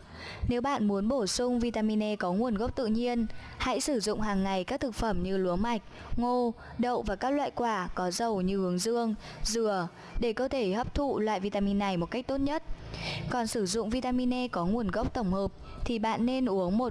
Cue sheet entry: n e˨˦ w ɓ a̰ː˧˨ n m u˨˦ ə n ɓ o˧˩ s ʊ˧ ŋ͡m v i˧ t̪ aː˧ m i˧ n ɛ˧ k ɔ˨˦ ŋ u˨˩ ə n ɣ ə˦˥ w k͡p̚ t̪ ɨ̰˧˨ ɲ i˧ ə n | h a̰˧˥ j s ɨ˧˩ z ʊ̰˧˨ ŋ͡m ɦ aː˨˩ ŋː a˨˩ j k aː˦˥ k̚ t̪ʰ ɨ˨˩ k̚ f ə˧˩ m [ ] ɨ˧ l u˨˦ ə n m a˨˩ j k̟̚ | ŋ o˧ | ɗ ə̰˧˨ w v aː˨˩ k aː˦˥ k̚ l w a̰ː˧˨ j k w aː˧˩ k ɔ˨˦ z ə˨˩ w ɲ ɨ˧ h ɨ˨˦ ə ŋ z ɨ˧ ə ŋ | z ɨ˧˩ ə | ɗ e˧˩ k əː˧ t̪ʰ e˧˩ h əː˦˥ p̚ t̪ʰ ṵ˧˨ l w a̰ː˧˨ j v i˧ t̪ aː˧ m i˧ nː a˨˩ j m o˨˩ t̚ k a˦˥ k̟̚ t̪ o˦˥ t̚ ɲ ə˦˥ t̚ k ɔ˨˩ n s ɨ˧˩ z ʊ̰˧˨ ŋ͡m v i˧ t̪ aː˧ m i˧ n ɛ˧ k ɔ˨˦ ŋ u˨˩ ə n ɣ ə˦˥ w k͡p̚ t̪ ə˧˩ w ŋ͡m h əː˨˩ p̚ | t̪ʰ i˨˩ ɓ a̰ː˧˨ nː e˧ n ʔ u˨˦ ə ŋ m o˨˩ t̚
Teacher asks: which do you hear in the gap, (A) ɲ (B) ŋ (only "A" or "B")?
A